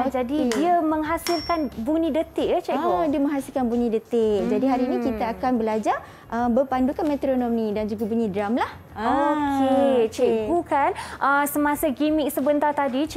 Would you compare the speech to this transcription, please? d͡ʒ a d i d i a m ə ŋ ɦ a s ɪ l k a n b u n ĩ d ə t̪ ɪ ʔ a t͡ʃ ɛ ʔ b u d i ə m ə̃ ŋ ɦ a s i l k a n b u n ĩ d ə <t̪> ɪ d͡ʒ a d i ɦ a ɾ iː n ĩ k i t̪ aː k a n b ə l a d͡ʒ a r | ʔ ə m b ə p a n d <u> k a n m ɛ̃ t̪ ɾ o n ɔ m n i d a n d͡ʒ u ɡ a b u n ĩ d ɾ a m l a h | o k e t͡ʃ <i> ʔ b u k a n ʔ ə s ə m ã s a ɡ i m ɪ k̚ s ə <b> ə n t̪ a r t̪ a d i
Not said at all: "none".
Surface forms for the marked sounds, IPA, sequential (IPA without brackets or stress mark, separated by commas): t̪, u, ɛ, b